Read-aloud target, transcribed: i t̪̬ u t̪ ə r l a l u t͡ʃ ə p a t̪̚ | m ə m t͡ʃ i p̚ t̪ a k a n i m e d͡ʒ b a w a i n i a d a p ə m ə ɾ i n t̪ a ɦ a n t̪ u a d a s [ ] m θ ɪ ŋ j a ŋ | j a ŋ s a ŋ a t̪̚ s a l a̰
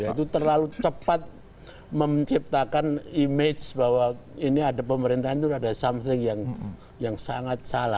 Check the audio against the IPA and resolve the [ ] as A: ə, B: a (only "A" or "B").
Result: B